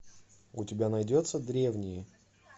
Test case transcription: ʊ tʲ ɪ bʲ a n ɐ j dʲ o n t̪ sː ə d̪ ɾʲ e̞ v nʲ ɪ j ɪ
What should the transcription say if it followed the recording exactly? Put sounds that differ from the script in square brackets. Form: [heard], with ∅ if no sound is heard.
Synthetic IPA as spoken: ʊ tʲ ɪ bʲ a n ɐ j dʲ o [∅] t̪ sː ə d̪ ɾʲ e̞ v nʲ ɪ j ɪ